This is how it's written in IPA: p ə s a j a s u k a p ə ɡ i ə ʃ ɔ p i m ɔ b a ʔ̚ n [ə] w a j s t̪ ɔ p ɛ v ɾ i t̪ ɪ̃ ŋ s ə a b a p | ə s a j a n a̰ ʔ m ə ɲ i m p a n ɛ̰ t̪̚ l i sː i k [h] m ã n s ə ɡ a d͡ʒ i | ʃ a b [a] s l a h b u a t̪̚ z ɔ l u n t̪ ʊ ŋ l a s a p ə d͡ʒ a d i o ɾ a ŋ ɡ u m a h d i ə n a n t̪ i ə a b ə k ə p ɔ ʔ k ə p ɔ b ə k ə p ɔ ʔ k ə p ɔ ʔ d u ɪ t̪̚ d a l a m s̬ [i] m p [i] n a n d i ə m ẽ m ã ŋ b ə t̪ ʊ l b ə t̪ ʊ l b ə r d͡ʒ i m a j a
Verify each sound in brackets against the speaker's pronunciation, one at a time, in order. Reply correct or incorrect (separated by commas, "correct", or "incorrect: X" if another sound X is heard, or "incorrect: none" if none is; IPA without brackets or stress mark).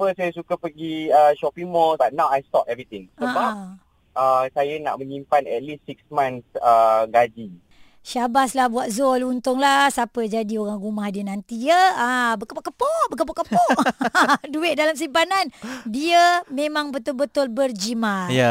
incorrect: a, incorrect: s, correct, correct, incorrect: a